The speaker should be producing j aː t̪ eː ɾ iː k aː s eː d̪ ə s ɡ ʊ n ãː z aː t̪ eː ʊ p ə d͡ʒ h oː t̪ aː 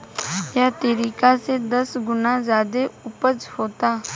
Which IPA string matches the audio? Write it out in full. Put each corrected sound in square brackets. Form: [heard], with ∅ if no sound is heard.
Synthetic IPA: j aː t̪ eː ɾ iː k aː s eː d̪ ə s ɡ ʊ n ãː z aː [d̪] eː ʊ p ə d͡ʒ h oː t̪ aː